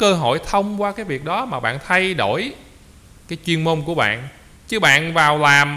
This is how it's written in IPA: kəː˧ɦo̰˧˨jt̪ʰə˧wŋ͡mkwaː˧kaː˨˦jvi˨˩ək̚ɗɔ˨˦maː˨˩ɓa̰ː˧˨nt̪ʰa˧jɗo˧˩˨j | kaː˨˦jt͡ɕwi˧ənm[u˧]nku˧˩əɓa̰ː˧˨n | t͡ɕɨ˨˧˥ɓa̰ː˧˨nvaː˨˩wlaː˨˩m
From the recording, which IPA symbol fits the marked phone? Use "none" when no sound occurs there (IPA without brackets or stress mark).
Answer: o˧